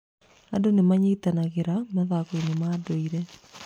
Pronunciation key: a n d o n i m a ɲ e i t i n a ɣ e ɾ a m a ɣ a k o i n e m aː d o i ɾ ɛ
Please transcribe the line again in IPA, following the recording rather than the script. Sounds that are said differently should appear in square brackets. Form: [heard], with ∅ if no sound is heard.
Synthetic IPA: a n d o n [e] m a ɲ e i t [a] n a ɣ e ɾ a m a [ð] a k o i n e m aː d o i ɾ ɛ